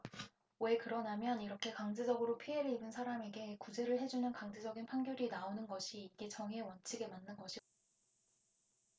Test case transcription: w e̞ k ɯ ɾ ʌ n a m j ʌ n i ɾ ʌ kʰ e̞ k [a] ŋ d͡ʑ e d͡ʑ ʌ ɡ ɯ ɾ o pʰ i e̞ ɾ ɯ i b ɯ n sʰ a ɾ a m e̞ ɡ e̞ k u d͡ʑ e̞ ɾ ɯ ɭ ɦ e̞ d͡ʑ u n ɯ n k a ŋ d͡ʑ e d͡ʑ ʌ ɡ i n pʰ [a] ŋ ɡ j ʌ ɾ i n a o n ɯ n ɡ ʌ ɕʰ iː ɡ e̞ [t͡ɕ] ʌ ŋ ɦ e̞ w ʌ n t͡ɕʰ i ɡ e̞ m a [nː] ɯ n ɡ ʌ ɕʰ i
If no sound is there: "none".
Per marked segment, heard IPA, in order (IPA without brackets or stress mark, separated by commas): a, a, t͡ɕ, nː